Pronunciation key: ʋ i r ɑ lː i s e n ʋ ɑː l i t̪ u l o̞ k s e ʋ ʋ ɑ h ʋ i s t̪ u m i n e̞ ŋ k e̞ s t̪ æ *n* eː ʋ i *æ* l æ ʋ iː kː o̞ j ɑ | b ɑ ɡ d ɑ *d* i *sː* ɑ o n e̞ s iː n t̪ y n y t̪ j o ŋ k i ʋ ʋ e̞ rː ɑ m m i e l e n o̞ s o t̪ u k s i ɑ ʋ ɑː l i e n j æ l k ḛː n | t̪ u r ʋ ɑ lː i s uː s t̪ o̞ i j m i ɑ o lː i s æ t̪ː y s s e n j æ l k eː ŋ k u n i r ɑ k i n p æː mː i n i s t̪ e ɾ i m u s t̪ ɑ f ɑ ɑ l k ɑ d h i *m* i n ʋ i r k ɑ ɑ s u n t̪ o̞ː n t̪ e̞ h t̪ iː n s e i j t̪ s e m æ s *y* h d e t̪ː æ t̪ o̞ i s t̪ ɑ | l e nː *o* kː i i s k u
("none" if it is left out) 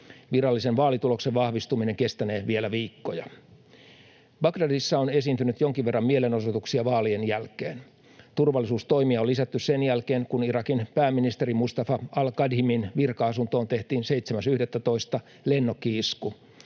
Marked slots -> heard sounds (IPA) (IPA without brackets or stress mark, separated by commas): n, e, d, sː, m, y, o